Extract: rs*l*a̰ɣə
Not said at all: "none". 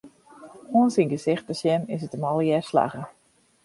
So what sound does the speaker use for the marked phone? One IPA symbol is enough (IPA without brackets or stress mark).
l